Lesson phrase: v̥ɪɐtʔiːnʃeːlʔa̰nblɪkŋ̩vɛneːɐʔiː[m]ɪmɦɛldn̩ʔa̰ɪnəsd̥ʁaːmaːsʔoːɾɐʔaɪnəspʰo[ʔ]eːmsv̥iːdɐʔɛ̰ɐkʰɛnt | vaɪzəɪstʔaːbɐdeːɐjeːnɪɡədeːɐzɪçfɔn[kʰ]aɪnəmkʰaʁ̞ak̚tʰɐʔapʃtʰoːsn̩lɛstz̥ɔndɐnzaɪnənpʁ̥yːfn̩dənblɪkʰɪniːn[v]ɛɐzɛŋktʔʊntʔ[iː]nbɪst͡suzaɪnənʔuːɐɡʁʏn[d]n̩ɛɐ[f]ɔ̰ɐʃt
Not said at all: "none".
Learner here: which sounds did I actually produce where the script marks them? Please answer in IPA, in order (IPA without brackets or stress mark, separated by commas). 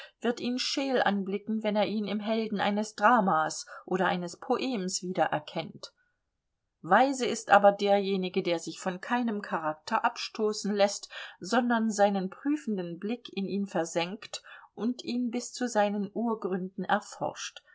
n, ʔ, kʰ, f, iː, d, f